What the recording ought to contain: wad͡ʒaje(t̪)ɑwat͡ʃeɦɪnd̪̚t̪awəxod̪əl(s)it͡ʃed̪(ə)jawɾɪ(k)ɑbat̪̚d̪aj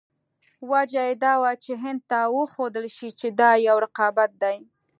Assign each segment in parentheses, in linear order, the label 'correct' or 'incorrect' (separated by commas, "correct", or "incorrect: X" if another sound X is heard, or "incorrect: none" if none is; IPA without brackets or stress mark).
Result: incorrect: d̪, incorrect: ʃ, incorrect: ɑ, incorrect: q